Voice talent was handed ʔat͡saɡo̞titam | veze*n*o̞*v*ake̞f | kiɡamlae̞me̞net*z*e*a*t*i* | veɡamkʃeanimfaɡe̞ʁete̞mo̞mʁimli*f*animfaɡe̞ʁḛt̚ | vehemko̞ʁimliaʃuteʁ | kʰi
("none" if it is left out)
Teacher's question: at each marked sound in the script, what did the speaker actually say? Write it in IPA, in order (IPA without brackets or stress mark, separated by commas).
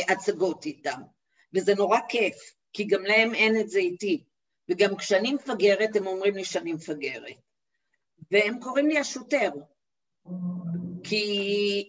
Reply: n, ʁ, z, i, i, ʃ